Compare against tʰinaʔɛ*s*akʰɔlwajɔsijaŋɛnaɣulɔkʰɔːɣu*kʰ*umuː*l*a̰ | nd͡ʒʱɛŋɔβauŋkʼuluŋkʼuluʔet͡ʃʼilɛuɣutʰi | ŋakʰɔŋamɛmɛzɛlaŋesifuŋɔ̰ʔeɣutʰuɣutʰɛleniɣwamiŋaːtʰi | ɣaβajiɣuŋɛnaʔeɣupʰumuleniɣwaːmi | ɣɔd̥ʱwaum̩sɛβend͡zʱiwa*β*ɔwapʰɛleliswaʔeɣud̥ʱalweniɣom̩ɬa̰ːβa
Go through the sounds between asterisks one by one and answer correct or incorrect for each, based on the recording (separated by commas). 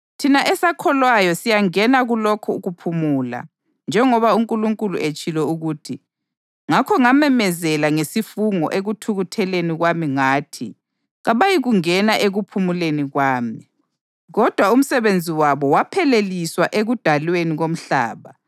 correct, incorrect, correct, correct